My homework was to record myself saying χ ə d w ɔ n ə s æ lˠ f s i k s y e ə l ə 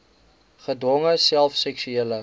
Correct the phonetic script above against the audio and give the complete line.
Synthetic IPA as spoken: χ ə d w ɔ ŋ ə s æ lˠ f s ɛ k s y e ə l ə